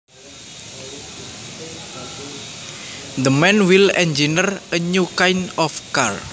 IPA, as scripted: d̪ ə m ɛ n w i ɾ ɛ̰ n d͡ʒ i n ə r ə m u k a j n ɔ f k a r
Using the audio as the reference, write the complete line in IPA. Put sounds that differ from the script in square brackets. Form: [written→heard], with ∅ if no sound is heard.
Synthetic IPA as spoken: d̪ ə m ɛ n w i [ɾ→l] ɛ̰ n d͡ʒ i n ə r ə [m→ɲ] u k a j n ɔ f k a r

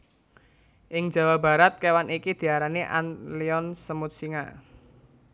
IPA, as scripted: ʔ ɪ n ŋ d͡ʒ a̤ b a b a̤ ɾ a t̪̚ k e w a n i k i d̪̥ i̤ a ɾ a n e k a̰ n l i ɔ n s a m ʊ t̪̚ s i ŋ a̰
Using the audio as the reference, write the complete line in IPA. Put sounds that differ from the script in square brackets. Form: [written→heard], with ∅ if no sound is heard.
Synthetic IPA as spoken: ʔ ɪ [n→∅] ŋ d͡ʒ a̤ [b→w] a b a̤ ɾ a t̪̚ k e w a n i k i d̪̥ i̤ a ɾ a n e [k→ʔ] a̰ n l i ɔ n s [a→ə] m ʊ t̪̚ s i ŋ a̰

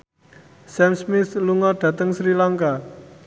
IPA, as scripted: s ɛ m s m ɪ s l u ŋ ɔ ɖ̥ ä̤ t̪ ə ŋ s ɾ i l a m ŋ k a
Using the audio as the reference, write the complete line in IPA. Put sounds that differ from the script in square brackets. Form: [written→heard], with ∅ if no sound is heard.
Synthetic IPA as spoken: s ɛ m s m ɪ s l u ŋ ɔ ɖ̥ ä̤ t̪ ə ŋ s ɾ i l a [m→∅] ŋ k a

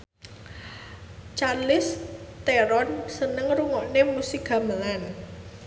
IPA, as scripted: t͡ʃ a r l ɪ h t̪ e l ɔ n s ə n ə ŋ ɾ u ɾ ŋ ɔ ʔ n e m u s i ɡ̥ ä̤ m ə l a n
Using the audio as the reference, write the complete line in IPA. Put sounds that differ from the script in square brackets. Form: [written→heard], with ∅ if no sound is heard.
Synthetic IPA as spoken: t͡ʃ a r l ɪ [h→s] t̪ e [l→ɾ] ɔ n s ə n ə ŋ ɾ u [ɾ→∅] ŋ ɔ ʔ n e m u s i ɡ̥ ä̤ m ə l a n

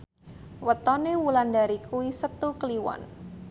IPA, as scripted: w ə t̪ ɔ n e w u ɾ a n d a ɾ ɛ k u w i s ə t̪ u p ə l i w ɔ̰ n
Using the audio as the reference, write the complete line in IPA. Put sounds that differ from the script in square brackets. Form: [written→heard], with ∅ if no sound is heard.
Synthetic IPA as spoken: w ə t̪ ɔ n e w u [ɾ→l] a n d a ɾ [ɛ→i] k u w i s ə t̪ u [p→k] ə l i w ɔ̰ n

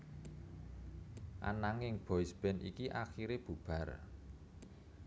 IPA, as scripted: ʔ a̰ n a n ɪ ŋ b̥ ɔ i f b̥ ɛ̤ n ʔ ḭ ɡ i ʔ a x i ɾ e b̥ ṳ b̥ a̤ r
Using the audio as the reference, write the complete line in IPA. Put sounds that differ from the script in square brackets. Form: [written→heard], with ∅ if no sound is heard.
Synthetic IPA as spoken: ʔ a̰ n a [n→ŋ] ɪ ŋ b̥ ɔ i [f→s] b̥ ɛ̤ n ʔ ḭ [ɡ→k] i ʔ a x i ɾ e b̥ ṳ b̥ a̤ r

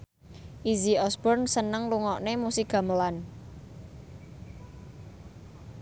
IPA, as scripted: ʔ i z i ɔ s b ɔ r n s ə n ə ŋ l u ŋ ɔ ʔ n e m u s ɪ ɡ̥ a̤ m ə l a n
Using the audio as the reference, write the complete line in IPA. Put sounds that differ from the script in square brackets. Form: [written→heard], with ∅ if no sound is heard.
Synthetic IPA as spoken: ʔ i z i ɔ s b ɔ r n s ə n ə ŋ l u ŋ ɔ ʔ n e m u s [ɪ→i] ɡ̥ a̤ m ə l a n

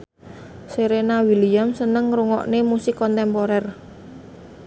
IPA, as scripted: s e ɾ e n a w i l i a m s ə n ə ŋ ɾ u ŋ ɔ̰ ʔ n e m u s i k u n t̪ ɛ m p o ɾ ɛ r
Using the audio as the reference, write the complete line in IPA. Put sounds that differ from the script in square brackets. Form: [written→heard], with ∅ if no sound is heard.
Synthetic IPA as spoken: s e ɾ e n a w i l i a m s ə n ə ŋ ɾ u ŋ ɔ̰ ʔ n e m u s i k [u→ɔ] n t̪ ɛ m p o ɾ ɛ r

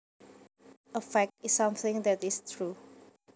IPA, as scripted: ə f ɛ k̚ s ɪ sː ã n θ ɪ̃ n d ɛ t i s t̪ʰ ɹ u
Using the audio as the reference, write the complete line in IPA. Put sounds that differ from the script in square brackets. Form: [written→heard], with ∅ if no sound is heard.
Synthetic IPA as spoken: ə f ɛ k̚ [s→t] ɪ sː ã [n→m] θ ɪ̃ [n→ŋ] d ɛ t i s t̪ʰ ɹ u

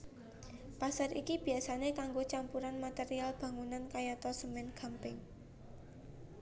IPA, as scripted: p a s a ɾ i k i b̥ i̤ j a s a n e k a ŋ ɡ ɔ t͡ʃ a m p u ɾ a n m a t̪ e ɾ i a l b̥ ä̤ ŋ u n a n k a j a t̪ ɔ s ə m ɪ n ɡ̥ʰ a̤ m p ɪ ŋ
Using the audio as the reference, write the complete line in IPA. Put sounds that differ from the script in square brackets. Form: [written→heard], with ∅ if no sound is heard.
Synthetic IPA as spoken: p a s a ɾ i k i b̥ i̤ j a s a n e k a ŋ ɡ [ɔ→o] t͡ʃ a m p u ɾ a n m a t̪ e ɾ i a l b̥ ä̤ ŋ u n a n k a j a t̪ ɔ s ə m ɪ n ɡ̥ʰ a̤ m p ɪ ŋ

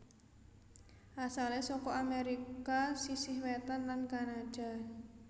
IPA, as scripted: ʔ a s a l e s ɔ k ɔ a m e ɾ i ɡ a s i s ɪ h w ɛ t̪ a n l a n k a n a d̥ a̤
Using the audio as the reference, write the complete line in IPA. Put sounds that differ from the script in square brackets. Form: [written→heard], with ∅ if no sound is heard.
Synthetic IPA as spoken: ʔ a s a l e s ɔ k ɔ a m e ɾ i [ɡ→k] a s i s ɪ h w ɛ t̪ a n l a n k a n a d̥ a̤

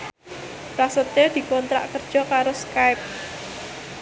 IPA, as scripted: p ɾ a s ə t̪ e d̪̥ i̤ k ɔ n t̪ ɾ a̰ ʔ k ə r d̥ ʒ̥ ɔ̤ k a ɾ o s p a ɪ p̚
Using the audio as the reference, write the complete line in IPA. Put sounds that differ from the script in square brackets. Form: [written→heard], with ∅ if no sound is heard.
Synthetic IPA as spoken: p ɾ a s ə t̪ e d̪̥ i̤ k ɔ n t̪ ɾ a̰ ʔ k ə r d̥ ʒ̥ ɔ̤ k a ɾ o s [p→k] a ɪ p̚

